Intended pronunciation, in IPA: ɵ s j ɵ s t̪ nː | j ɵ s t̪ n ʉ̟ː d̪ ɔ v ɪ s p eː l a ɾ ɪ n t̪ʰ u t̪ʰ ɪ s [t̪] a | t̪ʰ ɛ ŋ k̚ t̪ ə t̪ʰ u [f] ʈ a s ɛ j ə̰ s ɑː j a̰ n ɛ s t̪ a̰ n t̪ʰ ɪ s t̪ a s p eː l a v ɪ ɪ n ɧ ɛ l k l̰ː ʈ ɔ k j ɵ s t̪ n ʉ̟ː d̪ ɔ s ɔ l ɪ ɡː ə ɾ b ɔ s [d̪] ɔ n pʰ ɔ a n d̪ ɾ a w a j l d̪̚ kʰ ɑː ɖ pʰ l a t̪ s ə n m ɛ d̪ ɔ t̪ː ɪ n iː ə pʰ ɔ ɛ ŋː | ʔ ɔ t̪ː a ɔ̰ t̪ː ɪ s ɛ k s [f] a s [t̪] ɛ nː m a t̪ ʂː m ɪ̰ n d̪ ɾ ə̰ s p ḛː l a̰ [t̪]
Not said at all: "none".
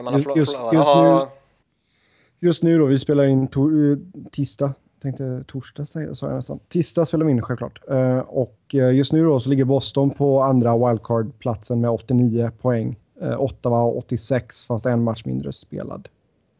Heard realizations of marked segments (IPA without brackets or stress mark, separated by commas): t̪, ʂ, t̪, f, t̪, d̪